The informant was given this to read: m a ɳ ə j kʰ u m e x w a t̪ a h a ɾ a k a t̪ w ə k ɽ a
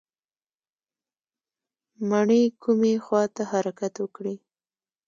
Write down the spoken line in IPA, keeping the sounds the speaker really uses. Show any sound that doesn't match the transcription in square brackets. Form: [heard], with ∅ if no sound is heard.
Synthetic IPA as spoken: m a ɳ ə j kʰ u m e x w [ɑ] t̪ a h a ɾ a k a t̪ w ə k ɽ [i]

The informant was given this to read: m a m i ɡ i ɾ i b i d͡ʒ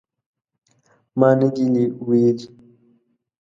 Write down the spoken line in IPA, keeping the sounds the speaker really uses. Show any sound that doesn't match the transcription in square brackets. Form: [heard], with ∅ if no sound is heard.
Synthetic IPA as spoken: m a [n] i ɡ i [l] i [w] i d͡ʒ

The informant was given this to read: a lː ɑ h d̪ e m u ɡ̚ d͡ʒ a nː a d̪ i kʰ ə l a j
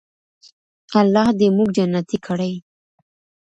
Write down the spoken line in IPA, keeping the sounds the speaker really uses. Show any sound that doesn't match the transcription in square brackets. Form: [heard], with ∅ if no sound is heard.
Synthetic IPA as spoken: a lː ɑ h d̪ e m u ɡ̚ d͡ʒ a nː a [t̪] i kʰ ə [ɽ] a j

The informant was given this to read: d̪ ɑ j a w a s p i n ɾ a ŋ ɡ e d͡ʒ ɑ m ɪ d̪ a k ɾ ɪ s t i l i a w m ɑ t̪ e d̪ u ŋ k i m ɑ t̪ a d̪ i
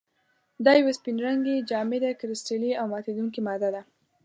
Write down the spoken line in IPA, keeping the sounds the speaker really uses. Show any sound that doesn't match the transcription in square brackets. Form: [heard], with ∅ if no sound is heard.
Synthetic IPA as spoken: d̪ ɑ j a w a s p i n ɾ a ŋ ɡ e d͡ʒ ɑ m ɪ d̪ a k ɾ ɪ s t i l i a w m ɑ t̪ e d̪ u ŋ k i m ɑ [d̪] a d̪ [a]

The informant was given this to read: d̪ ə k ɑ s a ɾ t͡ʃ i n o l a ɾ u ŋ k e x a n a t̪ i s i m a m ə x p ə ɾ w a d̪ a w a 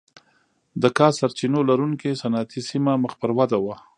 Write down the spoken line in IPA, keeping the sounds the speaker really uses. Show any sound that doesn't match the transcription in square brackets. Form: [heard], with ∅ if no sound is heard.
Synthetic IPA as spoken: d̪ ə k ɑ s a ɾ t͡ʃ i n o l a ɾ u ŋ k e [s] a n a t̪ i s i m a m ə x p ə ɾ w a d̪ a w a

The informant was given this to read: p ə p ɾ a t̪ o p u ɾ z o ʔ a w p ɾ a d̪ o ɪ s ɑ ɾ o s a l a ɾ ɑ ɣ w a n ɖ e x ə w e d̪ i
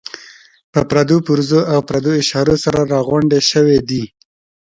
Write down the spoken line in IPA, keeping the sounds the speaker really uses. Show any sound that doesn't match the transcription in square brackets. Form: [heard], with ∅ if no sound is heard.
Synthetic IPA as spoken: p ə p ɾ a [d̪] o p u ɾ z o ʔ a w p ɾ a d̪ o ɪ [ʃ] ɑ ɾ o s a [ɾ] a ɾ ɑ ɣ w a [ɳ] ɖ e [ʃ] ə w e d̪ i

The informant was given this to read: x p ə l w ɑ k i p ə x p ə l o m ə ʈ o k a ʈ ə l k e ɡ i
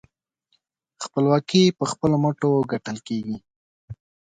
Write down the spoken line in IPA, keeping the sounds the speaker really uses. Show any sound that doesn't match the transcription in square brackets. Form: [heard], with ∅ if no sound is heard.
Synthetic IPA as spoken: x p ə l w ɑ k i p ə x p ə l o m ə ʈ o [ɡ] a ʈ ə l k e ɡ i

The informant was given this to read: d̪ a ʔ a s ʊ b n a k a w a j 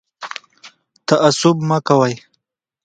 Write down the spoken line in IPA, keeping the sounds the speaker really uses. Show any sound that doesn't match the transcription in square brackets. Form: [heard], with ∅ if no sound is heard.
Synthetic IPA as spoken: [t̪] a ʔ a s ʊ b [m] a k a w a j

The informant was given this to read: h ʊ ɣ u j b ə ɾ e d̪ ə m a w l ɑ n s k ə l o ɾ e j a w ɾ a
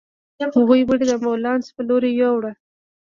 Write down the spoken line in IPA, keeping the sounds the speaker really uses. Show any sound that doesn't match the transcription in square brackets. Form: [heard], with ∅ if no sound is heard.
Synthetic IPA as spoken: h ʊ ɣ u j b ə [ɽ] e d̪ ə m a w l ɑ n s [p] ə l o ɾ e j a w [ɽ] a

